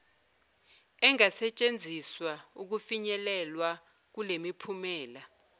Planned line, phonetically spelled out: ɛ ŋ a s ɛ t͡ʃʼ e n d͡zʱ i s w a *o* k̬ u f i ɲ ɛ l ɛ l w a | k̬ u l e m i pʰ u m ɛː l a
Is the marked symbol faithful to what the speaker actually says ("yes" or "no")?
no